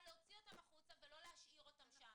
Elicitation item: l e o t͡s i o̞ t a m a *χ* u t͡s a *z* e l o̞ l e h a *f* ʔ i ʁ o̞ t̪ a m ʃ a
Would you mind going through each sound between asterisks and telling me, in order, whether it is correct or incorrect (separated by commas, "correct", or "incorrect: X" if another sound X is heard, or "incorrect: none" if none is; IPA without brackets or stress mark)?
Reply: correct, incorrect: v, incorrect: ʃ